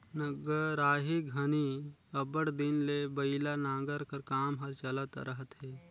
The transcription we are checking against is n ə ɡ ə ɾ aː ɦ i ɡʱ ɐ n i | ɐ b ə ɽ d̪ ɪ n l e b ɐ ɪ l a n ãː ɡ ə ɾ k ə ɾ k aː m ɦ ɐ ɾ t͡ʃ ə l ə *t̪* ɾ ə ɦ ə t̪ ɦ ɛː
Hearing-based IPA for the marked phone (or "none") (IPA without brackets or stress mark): t̪